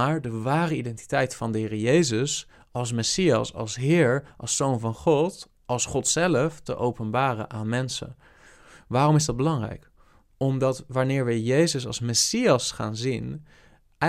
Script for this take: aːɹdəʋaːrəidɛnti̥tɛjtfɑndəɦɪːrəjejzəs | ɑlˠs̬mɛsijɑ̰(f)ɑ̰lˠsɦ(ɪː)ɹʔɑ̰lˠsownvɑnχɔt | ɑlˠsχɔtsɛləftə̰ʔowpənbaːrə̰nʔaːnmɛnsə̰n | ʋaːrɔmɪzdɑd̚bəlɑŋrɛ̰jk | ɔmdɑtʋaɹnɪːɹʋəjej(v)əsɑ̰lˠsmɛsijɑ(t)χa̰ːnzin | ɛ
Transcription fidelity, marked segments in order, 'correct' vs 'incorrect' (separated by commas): incorrect, correct, incorrect, incorrect